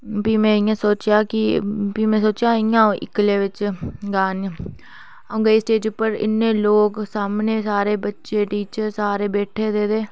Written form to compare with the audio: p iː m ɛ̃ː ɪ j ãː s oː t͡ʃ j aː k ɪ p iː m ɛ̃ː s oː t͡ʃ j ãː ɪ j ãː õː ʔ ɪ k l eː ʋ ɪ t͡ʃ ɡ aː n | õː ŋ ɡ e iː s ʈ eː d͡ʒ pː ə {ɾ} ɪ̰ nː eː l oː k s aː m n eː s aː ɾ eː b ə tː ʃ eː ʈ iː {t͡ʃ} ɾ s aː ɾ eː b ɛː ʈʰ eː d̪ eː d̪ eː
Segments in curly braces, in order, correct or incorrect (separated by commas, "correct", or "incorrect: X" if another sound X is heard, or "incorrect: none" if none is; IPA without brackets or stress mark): correct, correct